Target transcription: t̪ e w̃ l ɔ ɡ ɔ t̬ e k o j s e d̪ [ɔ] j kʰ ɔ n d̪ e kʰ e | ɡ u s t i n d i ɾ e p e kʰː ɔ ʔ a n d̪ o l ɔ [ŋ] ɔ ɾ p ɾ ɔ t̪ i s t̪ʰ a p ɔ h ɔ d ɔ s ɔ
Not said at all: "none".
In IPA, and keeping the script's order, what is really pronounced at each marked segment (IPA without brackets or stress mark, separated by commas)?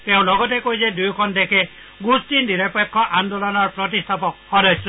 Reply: u, n